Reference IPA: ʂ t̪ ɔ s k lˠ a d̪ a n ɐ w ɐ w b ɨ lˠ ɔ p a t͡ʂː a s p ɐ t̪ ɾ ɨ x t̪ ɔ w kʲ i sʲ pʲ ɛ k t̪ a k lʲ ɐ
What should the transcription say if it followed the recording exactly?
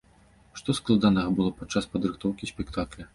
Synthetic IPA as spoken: ʂ t̪ ɔ s k lˠ a d̪ a n ɐ ɣ ɐ b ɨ lˠ ɔ p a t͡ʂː a s p ɐ d̪ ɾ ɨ x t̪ ɔ w kʲ i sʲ pʲ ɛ k t̪ a k lʲ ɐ